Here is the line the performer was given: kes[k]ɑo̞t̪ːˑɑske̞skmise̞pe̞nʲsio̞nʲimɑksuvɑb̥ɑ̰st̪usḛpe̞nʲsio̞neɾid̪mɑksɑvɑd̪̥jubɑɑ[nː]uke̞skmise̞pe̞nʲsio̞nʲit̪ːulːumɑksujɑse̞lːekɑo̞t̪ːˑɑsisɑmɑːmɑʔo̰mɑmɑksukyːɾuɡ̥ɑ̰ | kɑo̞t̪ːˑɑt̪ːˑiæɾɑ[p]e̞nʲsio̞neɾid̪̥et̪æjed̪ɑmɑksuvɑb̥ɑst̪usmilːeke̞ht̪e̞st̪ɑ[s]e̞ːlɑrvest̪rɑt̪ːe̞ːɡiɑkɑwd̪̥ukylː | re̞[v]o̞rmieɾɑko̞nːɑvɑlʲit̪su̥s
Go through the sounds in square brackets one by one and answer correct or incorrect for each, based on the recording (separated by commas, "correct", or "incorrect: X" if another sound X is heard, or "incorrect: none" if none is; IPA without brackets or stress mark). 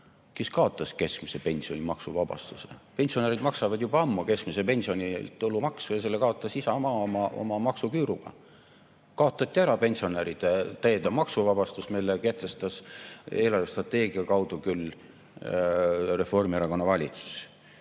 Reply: correct, incorrect: mː, correct, correct, incorrect: f